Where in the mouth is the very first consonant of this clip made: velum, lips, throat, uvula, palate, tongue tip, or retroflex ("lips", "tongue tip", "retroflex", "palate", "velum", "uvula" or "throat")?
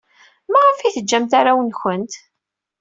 lips